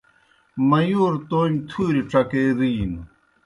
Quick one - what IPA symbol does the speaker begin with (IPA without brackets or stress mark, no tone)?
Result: m